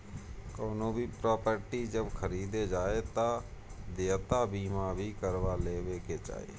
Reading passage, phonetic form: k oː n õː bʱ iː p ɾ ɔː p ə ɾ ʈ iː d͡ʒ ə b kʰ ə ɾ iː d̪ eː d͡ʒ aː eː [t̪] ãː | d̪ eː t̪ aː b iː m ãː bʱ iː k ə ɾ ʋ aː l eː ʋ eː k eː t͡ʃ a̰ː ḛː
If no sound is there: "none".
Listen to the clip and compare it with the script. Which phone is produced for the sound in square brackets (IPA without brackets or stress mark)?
t̪